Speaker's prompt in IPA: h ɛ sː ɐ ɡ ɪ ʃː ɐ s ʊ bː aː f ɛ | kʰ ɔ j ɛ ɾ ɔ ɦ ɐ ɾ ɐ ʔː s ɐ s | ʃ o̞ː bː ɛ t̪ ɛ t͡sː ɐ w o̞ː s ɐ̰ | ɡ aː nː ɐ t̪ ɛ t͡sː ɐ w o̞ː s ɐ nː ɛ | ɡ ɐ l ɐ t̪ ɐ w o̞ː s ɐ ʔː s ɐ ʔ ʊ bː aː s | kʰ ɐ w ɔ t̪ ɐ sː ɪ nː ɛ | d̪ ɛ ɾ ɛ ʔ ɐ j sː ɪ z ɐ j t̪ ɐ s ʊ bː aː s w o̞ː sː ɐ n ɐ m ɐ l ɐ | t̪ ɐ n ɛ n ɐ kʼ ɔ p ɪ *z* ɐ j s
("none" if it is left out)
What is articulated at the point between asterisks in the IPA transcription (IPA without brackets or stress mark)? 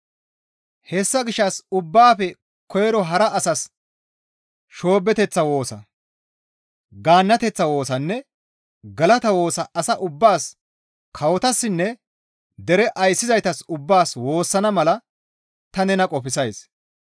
s